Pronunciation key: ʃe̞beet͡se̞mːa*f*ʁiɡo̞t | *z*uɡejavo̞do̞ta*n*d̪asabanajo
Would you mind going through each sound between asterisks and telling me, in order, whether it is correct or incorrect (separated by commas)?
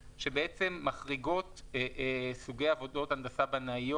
incorrect, incorrect, correct